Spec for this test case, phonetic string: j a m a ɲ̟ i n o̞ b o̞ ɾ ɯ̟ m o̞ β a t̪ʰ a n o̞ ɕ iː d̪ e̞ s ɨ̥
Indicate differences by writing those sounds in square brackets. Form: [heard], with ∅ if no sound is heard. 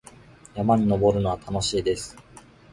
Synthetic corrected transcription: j a m a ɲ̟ i n o̞ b o̞ ɾ ɯ̟ [n] o̞ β a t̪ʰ a n o̞ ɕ iː d̪ e̞ s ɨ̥